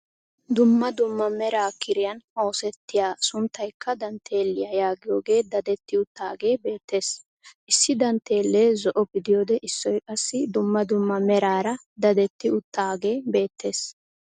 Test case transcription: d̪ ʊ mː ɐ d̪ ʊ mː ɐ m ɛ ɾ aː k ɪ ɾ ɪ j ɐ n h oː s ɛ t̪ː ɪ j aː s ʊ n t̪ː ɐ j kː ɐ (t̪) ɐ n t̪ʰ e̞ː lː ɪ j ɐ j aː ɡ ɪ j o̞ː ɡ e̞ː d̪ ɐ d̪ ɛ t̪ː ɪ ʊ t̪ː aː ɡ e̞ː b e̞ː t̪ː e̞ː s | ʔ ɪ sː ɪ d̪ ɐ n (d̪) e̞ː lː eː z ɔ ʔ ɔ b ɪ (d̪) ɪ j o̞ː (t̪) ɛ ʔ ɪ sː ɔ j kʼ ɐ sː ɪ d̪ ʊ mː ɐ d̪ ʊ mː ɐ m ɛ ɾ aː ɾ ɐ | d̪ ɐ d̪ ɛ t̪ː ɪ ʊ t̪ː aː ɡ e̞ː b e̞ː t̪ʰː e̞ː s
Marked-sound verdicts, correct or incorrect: incorrect: d̪, incorrect: t̪, correct, incorrect: d̪

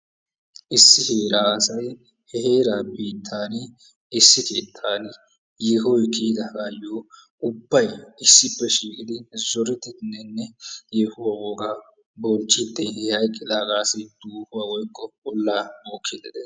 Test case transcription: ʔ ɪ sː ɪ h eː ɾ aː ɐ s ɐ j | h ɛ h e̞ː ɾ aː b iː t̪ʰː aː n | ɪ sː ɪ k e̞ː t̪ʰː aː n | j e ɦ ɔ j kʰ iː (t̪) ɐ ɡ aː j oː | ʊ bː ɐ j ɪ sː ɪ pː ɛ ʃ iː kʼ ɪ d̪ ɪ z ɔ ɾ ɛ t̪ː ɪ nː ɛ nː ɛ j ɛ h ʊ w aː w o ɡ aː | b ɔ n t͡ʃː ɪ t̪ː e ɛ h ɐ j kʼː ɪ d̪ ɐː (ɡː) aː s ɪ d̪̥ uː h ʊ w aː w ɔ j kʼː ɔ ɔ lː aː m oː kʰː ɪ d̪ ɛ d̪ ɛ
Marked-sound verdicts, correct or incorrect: incorrect: d̪, incorrect: ɡ

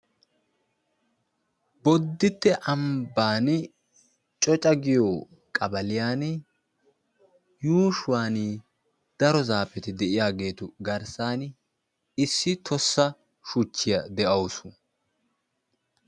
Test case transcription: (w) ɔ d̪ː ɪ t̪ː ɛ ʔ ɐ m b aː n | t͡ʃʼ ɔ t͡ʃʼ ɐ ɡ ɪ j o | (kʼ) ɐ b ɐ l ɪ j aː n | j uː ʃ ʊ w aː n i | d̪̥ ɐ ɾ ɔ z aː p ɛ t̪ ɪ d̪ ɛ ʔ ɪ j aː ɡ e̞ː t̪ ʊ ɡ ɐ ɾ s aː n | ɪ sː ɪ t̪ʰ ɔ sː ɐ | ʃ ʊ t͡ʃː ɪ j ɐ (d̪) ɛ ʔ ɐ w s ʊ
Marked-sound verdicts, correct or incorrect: incorrect: b, correct, correct

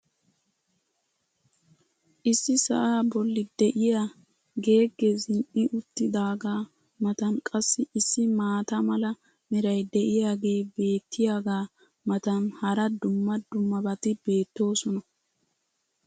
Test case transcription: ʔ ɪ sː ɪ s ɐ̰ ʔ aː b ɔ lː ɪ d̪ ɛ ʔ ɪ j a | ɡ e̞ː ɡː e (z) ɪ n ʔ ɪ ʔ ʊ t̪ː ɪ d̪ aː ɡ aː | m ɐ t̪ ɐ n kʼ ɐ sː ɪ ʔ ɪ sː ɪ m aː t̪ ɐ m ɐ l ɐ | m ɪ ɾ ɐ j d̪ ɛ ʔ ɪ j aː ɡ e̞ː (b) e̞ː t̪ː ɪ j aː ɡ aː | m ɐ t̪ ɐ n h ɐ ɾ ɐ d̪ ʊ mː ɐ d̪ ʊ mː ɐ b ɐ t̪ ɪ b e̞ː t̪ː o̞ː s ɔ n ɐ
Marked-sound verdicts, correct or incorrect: correct, correct

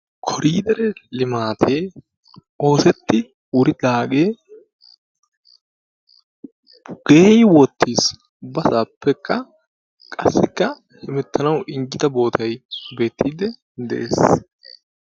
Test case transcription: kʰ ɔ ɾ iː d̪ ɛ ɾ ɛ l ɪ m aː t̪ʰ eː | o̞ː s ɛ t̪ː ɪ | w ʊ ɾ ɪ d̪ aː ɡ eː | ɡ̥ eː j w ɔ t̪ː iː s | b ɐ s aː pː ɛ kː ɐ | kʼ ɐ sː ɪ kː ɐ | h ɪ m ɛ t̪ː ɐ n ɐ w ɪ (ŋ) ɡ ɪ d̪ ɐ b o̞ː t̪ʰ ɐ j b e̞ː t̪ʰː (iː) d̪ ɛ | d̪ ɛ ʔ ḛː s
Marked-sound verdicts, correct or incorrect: correct, correct

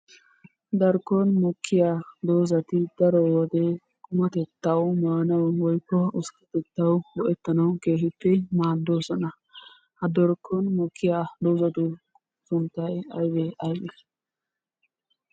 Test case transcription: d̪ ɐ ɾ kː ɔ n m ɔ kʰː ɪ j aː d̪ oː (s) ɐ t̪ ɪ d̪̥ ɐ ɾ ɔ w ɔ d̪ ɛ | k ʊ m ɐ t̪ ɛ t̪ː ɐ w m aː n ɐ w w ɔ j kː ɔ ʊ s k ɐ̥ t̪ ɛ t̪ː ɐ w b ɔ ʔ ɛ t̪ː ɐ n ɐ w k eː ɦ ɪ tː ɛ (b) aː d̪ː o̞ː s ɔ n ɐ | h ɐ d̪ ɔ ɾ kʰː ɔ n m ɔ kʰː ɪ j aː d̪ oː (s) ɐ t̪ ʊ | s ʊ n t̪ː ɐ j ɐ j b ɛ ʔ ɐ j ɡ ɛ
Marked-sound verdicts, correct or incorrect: incorrect: z, incorrect: m, incorrect: z

